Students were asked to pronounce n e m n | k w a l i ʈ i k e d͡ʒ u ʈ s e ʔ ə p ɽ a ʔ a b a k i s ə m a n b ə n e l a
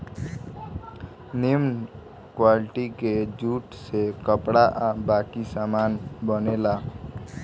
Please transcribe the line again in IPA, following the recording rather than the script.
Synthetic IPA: n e m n | k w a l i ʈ i k e d͡ʒ u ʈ s e k ə p ɽ a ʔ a b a k i s a m a n b ə n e l a